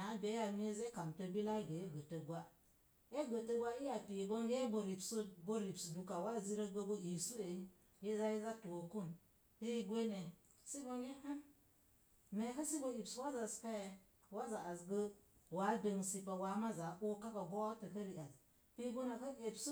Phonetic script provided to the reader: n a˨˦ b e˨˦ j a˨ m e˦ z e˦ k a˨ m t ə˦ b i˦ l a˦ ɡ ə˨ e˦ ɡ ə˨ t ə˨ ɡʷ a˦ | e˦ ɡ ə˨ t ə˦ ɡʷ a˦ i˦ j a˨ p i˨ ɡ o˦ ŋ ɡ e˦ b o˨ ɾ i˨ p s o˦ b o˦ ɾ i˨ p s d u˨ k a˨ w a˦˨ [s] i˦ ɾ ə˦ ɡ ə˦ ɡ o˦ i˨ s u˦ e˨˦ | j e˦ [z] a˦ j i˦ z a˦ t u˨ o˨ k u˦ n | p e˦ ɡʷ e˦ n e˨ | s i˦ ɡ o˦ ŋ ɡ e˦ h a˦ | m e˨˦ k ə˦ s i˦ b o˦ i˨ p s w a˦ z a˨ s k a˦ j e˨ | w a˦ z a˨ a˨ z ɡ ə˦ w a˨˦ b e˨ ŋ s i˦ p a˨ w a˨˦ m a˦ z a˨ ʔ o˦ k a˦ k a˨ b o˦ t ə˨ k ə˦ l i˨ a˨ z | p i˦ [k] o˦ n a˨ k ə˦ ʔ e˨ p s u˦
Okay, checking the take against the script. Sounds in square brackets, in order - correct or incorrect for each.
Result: incorrect, correct, incorrect

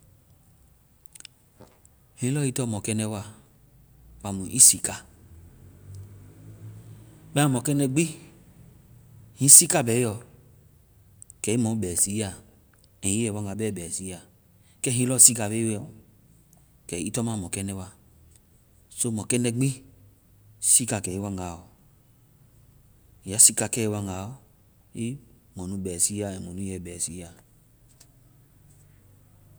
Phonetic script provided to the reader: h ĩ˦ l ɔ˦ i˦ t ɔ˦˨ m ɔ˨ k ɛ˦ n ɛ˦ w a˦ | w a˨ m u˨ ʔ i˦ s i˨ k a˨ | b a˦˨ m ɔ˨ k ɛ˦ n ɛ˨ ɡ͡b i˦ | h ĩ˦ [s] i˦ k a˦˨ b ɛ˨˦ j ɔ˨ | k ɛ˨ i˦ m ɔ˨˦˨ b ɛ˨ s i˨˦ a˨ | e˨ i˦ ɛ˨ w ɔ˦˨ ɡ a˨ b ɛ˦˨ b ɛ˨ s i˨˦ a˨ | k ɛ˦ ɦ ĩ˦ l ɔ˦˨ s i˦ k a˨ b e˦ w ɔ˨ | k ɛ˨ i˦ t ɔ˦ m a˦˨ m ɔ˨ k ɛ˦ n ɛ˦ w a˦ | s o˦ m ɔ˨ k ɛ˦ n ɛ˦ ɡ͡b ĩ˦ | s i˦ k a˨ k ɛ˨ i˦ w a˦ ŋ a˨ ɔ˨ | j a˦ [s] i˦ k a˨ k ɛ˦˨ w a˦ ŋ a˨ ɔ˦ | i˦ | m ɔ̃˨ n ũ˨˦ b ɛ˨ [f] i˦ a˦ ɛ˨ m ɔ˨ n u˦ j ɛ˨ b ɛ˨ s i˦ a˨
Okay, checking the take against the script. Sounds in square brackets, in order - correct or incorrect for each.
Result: correct, correct, incorrect

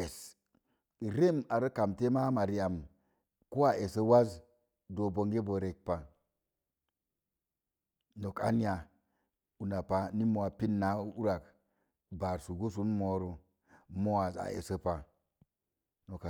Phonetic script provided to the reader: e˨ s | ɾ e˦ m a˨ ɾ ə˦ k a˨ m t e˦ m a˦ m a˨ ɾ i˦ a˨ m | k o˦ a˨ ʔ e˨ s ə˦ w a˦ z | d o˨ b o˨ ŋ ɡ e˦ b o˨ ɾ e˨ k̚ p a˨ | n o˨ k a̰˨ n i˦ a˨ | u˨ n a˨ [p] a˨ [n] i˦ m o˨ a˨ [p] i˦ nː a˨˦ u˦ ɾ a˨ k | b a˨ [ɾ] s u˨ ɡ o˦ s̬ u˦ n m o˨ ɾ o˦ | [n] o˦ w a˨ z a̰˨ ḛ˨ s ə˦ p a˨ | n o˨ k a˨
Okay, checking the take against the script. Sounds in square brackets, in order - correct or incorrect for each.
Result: correct, correct, correct, correct, incorrect

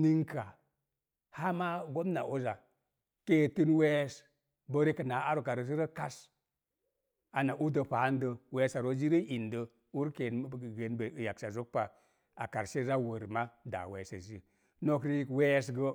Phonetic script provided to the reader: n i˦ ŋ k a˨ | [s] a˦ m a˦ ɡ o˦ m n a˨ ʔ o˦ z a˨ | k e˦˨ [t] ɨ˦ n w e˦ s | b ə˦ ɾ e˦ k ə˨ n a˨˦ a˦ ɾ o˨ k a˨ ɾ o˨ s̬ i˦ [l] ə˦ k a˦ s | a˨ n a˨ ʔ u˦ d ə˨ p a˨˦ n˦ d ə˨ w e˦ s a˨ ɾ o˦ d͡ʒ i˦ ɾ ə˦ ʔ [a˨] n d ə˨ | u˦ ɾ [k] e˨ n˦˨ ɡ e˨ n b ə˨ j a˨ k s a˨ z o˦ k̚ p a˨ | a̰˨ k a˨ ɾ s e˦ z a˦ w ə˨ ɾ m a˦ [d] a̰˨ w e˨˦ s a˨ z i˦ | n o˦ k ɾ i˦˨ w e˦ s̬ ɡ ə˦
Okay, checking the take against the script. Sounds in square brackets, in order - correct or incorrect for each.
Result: incorrect, correct, incorrect, incorrect, correct, correct

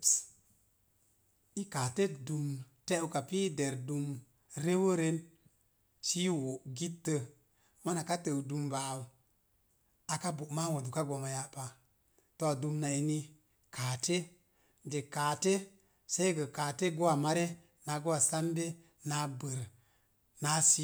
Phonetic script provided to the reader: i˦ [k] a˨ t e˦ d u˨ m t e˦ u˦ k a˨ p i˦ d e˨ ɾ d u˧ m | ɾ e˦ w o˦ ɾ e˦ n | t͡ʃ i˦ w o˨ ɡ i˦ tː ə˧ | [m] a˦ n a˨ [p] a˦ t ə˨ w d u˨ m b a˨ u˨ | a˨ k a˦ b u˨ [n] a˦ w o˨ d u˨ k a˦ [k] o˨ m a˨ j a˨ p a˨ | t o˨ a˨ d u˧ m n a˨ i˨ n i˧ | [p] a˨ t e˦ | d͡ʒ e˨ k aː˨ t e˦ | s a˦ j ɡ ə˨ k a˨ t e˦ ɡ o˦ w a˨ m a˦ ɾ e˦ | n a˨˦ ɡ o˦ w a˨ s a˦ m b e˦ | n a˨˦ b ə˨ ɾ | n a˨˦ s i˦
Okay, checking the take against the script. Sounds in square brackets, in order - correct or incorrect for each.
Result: correct, correct, incorrect, incorrect, incorrect, incorrect

